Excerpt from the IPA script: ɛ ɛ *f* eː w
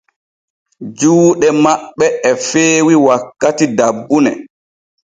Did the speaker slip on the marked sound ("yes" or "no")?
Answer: no